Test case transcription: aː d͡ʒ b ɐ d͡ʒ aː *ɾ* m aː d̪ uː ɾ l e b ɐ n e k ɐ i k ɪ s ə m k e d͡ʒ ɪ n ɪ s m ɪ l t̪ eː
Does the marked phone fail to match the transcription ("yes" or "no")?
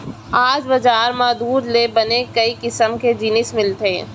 no